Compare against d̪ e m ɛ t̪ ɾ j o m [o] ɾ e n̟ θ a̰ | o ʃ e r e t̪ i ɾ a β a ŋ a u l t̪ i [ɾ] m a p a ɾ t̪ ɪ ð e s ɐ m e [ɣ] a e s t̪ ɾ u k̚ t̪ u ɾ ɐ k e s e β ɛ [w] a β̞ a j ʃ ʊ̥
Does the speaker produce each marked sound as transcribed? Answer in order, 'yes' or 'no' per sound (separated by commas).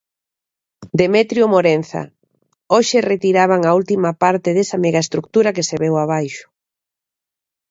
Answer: yes, no, yes, yes